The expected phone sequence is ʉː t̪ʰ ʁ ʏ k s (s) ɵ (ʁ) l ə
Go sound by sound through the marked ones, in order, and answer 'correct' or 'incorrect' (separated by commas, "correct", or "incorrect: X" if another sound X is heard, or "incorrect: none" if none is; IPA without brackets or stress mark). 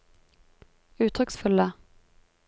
incorrect: f, incorrect: none